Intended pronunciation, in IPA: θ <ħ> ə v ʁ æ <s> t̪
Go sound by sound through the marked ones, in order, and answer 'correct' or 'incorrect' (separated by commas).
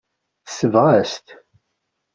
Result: incorrect, correct